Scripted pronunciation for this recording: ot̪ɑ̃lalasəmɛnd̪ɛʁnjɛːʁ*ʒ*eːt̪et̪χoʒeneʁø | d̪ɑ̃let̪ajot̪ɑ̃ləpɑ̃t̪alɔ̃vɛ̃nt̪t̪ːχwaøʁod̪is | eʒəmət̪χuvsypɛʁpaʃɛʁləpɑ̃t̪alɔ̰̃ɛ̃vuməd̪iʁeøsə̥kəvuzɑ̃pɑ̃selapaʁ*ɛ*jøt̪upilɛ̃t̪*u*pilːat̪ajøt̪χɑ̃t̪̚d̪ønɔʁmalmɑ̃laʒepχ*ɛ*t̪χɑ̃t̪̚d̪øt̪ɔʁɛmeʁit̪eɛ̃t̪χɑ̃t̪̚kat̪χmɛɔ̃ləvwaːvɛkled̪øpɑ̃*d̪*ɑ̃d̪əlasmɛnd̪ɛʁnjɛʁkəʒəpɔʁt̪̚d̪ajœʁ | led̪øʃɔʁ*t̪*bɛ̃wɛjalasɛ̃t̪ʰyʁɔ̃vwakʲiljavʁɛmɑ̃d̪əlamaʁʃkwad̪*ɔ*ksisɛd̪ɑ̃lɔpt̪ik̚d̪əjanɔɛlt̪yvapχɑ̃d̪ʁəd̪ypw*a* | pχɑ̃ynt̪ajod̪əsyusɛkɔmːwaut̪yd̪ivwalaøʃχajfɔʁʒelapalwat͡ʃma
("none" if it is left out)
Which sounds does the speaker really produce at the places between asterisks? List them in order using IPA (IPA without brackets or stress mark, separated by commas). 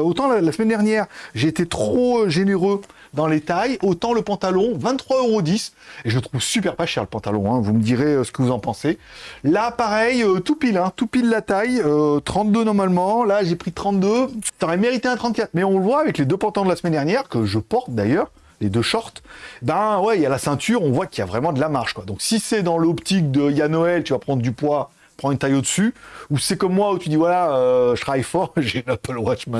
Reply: ʒ, ɛ, u, i, t̪, t̪, ɔ̃, a